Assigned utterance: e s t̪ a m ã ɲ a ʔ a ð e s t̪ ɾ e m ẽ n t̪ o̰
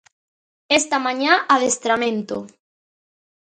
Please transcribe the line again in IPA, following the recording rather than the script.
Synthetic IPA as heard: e s t̪ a m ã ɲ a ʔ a ð e s t̪ ɾ a m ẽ n t̪ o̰